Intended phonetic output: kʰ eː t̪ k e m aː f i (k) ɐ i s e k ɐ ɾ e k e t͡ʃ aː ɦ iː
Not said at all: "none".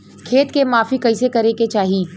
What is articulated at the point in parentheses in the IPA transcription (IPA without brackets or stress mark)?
k